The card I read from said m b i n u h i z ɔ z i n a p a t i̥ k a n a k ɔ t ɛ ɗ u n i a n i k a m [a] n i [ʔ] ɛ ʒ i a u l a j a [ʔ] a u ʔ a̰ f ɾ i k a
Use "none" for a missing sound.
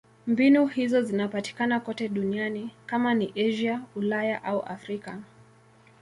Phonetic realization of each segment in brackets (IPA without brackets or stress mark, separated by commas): a, ʔ, ʔ